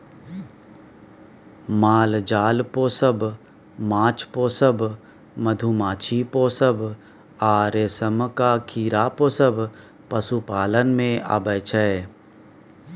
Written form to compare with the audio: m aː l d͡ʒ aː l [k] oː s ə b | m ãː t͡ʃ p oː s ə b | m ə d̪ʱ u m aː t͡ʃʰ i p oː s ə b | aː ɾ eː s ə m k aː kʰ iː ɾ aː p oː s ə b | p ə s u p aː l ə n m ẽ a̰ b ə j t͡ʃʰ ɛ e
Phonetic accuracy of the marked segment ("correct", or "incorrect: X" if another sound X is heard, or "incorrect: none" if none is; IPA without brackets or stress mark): incorrect: p